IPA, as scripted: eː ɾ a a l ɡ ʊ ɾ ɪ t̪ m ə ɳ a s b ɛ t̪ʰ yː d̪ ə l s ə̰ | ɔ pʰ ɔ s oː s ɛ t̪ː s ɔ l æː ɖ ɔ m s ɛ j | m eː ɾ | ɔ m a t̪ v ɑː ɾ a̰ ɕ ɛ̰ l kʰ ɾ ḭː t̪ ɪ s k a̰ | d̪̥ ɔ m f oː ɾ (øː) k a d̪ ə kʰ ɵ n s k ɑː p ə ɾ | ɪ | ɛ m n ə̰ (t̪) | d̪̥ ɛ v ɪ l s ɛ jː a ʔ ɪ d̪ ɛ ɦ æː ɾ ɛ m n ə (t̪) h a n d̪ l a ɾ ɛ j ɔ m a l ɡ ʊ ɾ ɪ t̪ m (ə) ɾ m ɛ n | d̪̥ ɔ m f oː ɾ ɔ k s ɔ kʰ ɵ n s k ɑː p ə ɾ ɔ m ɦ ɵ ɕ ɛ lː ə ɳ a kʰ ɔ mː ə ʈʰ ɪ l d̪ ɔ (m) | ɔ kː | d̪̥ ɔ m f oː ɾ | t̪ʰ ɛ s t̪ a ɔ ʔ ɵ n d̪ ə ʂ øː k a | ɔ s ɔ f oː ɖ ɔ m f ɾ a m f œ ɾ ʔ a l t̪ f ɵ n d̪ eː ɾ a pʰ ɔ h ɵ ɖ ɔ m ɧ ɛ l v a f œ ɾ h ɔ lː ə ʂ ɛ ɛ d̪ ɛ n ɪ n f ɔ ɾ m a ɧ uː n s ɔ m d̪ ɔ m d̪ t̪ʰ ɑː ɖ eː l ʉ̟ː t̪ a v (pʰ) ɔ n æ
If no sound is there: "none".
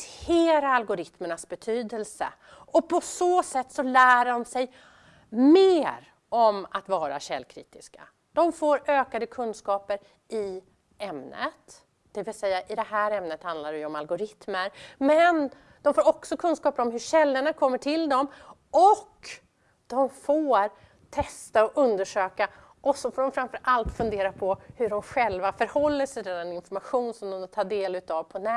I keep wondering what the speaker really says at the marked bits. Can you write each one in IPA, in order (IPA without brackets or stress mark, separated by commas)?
øː, t̪, t̪, ə, m, pʰ